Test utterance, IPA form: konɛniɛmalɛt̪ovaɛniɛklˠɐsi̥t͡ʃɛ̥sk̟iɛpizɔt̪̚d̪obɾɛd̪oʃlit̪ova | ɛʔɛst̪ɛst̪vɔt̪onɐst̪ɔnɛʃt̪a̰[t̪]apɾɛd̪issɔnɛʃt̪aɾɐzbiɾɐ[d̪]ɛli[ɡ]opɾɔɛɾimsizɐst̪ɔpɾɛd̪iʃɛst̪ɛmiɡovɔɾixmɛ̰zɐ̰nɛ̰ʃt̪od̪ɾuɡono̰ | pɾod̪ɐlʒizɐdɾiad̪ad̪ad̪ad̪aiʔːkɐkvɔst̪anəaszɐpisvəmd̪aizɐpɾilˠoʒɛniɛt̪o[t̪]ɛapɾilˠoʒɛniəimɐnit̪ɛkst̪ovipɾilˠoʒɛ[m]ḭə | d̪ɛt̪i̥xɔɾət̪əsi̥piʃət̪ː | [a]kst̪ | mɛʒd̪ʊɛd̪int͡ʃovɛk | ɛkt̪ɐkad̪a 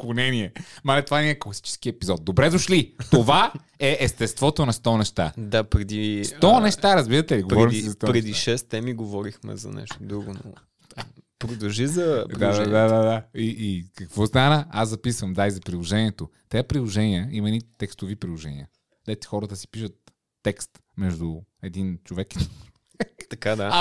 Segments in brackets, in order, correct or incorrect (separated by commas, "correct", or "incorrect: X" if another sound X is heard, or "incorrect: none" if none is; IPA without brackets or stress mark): incorrect: d̪, incorrect: t̪, correct, correct, incorrect: n, incorrect: ɛ